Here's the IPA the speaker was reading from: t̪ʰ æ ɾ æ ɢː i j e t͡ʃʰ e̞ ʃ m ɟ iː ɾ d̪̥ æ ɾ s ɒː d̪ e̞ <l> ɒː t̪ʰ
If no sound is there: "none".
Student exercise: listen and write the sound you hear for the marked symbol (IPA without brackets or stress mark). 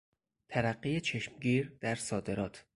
ɾ